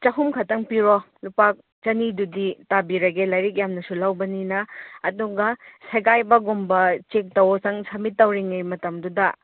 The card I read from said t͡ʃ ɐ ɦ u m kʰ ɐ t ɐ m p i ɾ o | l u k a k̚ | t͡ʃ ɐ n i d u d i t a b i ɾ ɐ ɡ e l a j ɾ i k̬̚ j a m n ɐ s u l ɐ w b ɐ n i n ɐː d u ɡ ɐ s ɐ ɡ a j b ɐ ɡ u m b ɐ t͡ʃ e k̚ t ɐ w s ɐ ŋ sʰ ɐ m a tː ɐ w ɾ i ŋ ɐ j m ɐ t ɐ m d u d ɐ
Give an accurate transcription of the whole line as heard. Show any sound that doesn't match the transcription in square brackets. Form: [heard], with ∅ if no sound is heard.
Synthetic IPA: t͡ʃ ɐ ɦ u m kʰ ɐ t ɐ [ŋ] p i ɾ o | l u [p] a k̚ | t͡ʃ ɐ n i d u d i t a b i ɾ ɐ ɡ e l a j ɾ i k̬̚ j a m n ɐ s u l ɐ w b ɐ n i n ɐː d u ɡ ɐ s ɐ ɡ a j b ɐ ɡ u m b ɐ t͡ʃ e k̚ t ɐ w s ɐ ŋ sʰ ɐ m [i] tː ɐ w ɾ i ŋ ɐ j m ɐ t ɐ m d u d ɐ